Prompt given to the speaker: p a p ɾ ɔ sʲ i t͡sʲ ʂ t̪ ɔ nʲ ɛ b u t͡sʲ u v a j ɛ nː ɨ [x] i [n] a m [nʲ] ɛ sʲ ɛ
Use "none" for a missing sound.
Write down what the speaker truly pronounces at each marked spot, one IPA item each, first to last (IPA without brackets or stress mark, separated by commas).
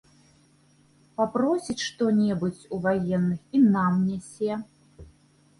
x, n, nʲ